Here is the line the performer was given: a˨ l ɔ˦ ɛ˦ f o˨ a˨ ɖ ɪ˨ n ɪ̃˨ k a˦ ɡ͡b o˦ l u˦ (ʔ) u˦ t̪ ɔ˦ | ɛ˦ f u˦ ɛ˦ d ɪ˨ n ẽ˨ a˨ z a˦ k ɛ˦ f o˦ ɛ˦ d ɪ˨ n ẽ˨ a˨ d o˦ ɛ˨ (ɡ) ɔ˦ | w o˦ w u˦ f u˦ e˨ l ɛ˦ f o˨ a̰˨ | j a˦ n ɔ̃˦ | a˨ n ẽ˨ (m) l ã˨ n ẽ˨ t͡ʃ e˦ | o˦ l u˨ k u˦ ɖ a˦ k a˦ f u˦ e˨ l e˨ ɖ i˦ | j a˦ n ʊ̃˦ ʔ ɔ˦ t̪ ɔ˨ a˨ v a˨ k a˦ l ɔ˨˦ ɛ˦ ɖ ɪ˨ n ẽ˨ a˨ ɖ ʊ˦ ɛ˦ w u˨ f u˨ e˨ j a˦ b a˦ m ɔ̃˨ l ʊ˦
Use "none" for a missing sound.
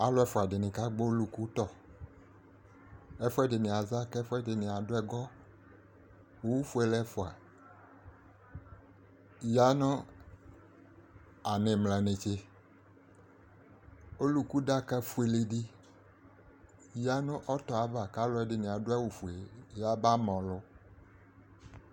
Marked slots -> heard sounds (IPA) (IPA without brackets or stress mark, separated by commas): k, ɡ, m